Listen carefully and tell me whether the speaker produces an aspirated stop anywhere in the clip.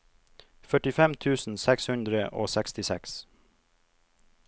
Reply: yes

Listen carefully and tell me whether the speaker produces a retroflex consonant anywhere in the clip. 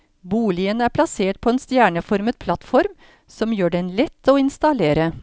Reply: yes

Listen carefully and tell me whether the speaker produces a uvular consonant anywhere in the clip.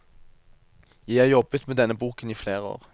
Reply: yes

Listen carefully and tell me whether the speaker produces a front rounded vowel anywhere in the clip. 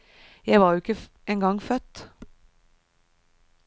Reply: yes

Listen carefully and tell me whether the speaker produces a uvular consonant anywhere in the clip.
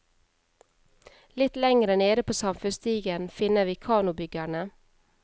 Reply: no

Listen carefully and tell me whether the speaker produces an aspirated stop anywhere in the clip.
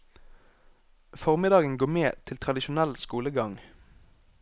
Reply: yes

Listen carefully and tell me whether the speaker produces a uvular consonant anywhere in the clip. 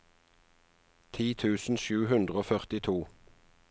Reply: yes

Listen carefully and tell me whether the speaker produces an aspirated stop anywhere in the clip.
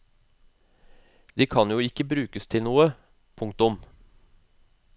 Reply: yes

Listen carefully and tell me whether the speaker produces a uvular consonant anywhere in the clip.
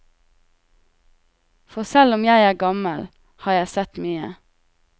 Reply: no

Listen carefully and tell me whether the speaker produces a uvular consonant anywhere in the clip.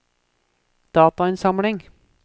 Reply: no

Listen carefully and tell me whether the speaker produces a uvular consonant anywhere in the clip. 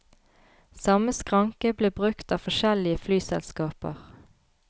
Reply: yes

